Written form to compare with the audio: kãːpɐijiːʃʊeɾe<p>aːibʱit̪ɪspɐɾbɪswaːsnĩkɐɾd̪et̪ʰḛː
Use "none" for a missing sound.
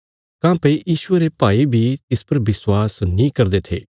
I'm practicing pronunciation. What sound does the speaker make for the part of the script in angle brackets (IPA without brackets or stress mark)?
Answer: p